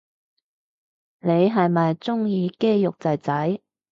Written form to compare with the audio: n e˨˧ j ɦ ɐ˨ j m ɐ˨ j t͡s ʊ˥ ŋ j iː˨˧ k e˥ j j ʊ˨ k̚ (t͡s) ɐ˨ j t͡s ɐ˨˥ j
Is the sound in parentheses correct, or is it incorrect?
correct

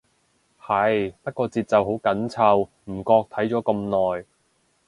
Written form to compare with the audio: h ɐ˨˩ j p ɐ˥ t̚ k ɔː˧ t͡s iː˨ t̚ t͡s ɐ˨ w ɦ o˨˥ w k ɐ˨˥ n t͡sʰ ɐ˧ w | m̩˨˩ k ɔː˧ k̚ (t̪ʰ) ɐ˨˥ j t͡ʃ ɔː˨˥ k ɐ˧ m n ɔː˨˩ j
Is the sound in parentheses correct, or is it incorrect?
correct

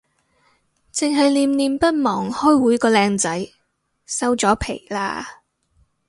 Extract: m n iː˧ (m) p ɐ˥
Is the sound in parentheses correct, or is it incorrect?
correct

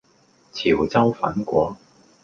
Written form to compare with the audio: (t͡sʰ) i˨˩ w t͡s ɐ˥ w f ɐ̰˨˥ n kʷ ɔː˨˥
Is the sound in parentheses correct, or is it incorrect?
correct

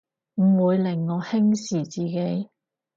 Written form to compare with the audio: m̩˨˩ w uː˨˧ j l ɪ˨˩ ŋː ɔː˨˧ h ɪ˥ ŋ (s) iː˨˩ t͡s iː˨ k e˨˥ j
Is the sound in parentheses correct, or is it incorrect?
correct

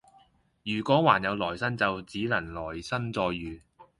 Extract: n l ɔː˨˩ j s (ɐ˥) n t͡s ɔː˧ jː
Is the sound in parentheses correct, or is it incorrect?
correct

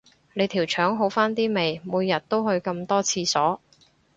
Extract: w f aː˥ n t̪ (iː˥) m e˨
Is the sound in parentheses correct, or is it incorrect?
correct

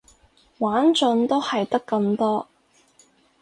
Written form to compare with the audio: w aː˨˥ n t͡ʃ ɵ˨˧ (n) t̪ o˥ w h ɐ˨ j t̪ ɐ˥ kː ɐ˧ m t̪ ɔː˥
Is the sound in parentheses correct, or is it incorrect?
correct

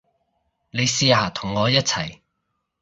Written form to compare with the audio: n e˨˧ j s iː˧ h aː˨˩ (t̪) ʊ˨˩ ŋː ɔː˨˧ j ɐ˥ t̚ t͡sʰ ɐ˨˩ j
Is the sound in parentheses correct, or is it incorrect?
incorrect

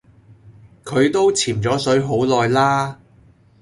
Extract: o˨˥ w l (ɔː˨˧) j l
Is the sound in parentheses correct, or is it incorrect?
correct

